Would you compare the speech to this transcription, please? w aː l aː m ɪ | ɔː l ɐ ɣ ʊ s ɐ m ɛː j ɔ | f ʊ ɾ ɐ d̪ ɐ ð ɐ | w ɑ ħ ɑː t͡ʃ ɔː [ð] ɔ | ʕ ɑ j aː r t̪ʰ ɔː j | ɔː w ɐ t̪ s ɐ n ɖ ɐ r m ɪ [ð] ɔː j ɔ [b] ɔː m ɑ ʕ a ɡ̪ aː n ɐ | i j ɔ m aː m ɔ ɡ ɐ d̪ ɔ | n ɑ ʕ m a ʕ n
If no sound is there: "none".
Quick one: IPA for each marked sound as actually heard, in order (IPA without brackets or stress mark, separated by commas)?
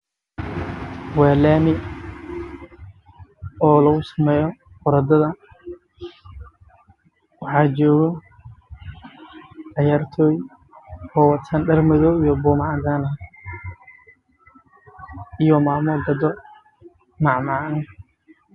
ɣ, ð, b